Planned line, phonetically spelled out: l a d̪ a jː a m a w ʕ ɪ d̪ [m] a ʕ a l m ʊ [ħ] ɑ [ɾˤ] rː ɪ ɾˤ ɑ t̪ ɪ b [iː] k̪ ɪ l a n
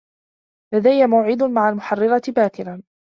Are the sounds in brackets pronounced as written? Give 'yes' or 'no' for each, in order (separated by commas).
yes, yes, no, no